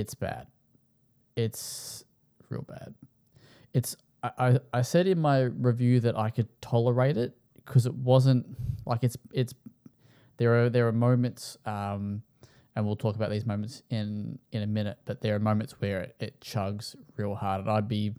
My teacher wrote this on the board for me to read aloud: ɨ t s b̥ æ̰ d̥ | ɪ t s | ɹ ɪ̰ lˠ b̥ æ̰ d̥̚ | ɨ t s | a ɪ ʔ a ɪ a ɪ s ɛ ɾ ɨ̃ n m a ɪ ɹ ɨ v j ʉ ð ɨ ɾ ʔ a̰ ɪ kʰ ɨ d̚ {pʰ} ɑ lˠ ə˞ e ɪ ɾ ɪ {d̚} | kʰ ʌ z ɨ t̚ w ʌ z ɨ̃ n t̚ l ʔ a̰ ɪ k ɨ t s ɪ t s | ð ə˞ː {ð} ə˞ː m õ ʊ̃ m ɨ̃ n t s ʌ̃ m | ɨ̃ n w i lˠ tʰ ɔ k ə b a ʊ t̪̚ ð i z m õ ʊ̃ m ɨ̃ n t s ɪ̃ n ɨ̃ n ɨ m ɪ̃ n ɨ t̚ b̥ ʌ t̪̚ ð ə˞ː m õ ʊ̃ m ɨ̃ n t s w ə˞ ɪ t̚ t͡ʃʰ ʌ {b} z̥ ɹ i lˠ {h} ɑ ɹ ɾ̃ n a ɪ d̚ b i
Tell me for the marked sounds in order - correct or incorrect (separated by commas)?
incorrect, incorrect, correct, incorrect, correct